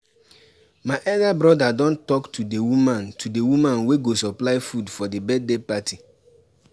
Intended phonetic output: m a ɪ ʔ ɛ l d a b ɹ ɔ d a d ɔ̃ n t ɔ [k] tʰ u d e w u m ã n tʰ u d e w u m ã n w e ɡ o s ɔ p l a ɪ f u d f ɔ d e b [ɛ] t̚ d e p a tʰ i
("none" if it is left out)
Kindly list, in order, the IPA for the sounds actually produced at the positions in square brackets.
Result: k, ɛ

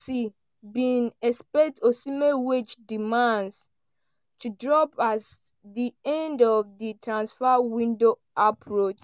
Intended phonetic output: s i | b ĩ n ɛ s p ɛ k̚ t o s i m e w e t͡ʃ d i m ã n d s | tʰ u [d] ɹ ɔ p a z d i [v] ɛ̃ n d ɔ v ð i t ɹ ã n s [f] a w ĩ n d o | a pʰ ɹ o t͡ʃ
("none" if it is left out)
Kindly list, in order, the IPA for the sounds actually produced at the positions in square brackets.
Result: d, none, f

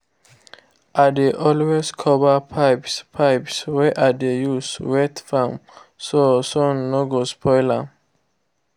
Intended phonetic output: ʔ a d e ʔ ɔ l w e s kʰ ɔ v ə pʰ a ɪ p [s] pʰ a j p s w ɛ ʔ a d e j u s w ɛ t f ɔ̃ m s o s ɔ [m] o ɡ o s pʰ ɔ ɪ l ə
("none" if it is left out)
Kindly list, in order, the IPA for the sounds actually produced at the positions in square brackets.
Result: s, n

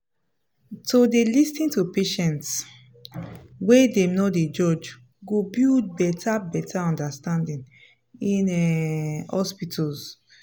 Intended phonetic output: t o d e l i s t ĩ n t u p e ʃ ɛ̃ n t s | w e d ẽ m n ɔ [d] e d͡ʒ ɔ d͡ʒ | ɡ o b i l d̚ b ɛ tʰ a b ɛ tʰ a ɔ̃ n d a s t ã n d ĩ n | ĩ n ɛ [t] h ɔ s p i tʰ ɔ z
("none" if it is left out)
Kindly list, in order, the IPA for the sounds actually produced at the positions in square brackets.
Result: d, none

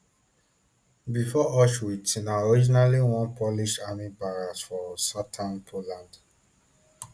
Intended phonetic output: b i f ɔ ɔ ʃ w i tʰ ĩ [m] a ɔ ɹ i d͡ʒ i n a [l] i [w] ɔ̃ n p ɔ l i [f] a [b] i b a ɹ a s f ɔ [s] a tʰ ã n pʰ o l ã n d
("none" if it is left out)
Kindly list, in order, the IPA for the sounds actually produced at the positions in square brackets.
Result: n, l, w, ʃ, m, s

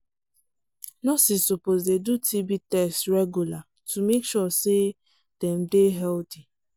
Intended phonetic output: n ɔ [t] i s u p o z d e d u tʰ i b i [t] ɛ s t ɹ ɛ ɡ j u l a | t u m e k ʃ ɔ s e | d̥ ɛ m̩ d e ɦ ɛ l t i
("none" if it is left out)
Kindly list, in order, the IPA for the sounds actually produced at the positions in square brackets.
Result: s, t

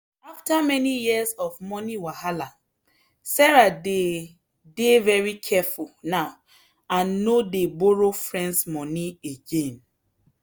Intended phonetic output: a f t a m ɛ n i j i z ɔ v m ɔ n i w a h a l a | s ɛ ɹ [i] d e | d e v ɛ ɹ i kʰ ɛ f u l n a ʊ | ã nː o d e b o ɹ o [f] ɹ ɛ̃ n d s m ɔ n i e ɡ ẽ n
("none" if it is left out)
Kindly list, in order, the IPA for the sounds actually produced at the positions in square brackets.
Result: a, f

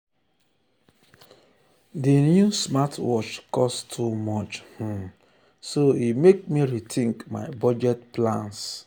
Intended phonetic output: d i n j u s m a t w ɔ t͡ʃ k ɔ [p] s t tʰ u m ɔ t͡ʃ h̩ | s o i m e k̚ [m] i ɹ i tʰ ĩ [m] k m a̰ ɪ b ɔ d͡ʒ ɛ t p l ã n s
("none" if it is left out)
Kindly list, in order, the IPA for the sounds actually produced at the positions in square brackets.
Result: none, m, ŋ

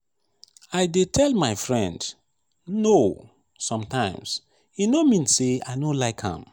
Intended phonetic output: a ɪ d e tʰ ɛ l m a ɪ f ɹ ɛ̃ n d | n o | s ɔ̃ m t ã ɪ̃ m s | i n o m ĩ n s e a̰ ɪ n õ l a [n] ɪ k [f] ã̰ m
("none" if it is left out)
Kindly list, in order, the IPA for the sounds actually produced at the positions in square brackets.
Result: none, h

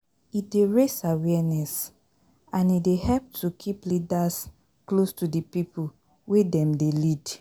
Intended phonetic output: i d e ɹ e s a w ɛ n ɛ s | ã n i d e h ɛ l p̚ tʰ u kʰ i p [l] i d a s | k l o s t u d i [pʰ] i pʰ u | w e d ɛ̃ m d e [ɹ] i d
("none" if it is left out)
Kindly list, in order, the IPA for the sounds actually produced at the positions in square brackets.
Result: l, p, l

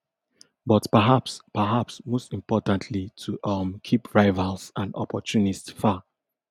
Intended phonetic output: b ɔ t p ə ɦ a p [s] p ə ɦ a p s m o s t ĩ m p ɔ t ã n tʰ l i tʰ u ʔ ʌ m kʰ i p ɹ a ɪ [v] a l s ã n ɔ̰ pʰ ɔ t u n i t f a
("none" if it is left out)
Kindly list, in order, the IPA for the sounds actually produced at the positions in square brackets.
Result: s, v

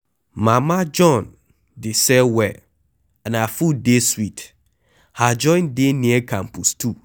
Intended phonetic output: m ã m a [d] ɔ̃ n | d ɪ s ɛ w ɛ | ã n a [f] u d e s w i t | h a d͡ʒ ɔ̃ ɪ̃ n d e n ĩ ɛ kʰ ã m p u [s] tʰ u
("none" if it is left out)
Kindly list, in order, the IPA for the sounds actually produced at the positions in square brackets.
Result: d͡ʒ, f, s

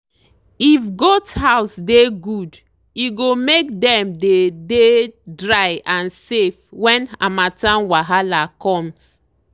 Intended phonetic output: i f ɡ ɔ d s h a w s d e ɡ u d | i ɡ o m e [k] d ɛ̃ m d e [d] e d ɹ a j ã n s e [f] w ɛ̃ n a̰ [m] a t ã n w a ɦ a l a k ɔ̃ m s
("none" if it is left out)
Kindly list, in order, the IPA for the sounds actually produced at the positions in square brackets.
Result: k, d, f, m

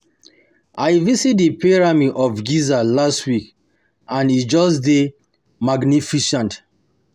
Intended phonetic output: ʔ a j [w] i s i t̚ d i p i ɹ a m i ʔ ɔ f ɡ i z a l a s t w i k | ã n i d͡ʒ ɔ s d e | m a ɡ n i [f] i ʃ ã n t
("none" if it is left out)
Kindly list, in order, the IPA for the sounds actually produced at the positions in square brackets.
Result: v, f

